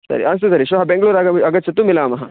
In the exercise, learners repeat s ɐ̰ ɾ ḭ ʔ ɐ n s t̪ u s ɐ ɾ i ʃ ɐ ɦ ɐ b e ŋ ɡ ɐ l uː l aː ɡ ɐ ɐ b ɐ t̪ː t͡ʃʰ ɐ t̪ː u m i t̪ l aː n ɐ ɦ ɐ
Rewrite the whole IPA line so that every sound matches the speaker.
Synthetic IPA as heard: s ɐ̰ ɾ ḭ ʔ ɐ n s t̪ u s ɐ ɾ i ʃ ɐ ɦ ɐ b e ŋ ɡ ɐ ɭ uː ɾ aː ɡ ɐ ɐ ɡ ɐ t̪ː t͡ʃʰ ɐ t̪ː u m i l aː m ɐ ɦ ɐ